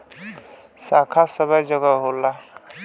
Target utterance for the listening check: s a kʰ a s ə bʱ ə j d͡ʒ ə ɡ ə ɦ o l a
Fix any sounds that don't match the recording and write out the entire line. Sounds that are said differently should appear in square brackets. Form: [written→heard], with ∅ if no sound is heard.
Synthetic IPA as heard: s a kʰ a s ə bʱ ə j d͡ʒ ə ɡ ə ɦ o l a